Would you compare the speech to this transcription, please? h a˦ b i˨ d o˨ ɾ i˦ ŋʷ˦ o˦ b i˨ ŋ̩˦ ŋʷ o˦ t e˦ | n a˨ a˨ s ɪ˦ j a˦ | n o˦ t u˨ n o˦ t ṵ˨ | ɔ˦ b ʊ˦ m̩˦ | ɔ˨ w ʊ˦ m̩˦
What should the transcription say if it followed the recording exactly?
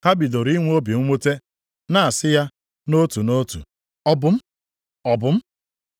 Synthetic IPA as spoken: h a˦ b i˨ d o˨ ɾ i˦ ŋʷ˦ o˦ b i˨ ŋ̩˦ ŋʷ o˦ t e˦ | n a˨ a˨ s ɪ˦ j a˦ | n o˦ t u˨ n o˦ t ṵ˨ | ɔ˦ b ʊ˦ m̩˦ | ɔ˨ b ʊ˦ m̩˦